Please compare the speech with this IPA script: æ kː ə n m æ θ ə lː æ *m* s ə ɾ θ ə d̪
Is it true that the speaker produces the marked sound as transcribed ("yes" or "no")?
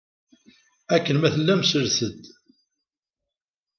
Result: yes